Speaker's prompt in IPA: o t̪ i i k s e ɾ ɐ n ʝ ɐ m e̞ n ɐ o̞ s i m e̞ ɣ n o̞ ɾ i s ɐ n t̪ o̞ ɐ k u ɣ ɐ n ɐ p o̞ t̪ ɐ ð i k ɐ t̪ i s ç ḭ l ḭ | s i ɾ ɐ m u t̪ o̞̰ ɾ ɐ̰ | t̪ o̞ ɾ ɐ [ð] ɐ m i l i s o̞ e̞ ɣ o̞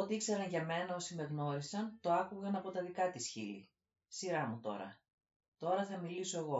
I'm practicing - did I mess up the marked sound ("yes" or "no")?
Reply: yes